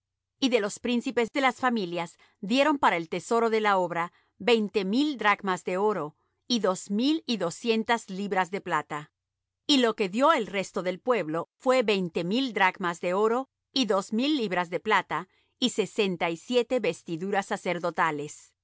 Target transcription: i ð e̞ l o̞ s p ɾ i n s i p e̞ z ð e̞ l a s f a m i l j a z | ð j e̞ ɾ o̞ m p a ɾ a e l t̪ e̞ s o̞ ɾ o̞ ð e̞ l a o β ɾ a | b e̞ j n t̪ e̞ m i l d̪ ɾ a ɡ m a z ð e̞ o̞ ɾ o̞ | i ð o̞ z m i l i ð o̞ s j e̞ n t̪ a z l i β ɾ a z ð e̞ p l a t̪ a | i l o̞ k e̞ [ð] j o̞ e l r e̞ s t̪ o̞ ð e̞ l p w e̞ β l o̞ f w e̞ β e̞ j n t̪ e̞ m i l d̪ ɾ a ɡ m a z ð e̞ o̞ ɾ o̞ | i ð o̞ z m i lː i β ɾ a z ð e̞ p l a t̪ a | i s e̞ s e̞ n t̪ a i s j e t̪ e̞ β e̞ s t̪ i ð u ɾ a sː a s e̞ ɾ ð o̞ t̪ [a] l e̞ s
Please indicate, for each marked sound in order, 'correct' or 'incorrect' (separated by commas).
correct, correct